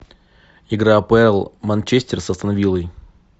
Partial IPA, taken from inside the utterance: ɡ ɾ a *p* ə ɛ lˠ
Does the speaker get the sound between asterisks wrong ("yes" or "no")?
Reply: no